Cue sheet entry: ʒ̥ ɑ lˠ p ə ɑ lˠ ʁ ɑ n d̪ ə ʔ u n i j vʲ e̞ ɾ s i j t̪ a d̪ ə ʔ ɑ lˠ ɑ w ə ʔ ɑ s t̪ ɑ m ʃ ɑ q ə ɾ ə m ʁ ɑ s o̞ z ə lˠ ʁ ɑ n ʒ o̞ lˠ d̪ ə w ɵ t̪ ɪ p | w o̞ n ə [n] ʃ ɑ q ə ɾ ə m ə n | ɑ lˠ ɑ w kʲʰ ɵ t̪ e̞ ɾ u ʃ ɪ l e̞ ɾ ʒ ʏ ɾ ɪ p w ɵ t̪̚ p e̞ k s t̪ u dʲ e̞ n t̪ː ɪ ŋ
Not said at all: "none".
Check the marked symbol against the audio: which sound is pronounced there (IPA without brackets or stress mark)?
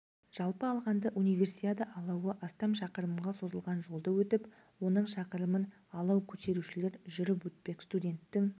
ɴ